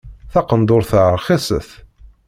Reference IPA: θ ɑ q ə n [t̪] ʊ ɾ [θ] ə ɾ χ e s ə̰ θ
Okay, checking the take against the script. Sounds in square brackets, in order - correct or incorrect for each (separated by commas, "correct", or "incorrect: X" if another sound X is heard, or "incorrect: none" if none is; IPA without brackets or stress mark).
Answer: incorrect: d̪, correct